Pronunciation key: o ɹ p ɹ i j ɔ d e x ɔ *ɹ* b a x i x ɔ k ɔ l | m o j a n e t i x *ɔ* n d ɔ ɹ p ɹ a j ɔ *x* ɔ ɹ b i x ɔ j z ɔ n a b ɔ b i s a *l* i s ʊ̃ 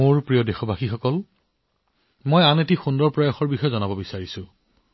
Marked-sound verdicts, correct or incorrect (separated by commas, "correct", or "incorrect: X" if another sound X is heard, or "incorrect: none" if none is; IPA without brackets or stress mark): incorrect: none, incorrect: u, correct, incorrect: ɹ